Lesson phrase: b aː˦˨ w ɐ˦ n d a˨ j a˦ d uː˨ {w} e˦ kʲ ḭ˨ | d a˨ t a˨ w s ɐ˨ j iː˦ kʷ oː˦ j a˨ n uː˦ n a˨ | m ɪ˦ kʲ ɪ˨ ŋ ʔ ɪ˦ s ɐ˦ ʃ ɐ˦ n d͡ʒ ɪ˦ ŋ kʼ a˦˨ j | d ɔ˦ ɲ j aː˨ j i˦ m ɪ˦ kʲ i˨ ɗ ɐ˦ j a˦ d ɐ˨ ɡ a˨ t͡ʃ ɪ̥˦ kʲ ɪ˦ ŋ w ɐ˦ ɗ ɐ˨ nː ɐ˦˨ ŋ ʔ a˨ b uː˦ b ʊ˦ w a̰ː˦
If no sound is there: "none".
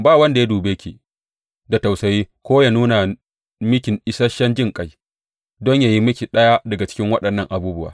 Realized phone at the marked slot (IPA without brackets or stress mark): b